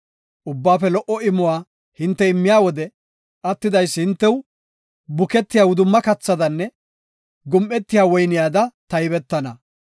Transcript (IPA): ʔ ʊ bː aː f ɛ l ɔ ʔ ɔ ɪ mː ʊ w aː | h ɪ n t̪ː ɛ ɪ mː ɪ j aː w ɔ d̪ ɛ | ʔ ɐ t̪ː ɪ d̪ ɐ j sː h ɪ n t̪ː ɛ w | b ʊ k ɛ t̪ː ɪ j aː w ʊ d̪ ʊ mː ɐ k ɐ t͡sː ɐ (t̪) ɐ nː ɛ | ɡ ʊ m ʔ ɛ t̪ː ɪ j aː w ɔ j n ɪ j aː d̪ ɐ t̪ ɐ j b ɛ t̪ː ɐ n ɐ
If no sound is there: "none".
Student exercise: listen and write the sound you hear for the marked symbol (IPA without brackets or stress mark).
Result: d̪